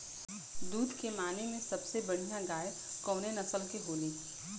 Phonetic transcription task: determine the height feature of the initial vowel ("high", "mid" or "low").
high